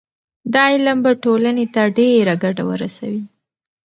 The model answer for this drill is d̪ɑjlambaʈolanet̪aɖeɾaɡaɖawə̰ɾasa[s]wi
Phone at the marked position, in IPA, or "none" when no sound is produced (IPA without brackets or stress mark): none